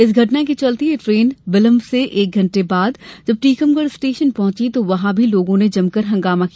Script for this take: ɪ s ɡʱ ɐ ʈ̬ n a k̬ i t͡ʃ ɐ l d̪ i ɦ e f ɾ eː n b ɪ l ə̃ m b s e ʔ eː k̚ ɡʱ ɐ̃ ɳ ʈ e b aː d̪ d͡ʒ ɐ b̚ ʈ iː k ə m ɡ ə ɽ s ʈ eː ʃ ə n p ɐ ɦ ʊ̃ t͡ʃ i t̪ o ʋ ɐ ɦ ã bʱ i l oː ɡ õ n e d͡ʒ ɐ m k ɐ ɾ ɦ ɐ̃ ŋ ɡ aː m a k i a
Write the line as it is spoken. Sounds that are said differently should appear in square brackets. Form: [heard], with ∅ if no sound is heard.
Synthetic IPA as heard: ɪ s ɡʱ ɐ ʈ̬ n a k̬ i t͡ʃ ɐ l [t̪] i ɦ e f ɾ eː n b ɪ l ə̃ m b s e ʔ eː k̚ ɡʱ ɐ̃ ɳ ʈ e b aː d̪ d͡ʒ ɐ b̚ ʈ iː k ə m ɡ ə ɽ s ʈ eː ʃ ə n p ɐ ɦ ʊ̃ t͡ʃ i t̪ o ʋ ɐ ɦ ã bʱ i l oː ɡ õ n e d͡ʒ ɐ m k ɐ ɾ ɦ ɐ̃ ŋ ɡ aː m a k i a